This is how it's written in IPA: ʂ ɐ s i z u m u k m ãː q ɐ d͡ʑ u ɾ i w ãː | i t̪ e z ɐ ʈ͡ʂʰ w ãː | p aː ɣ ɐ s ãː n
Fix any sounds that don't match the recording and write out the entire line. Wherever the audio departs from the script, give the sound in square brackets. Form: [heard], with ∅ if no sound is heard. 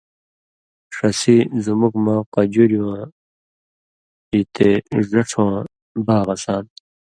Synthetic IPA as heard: ʂ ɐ s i z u m u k m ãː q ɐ d͡ʑ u ɾ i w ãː | i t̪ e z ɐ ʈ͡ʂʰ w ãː | [b] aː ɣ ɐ s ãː n